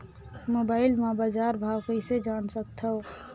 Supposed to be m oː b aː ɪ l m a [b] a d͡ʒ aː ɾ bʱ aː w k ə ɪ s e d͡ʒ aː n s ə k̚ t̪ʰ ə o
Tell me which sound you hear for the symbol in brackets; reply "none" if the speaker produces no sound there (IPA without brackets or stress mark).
b